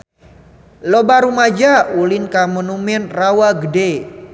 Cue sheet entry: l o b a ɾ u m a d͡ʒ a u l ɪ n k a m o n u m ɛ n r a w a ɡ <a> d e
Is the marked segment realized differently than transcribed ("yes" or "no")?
yes